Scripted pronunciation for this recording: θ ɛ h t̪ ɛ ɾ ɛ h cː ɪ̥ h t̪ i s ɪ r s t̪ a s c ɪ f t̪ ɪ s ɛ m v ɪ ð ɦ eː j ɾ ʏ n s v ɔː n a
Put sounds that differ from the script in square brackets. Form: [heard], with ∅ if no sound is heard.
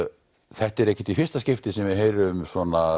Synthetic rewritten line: θ ɛ h t̪ ɛ ɾ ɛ h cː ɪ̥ [∅] t̪ i [f] ɪ r s t̪ a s c ɪ f t̪ ɪ s ɛ m v ɪ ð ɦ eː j ɾ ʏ [m] s v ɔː n a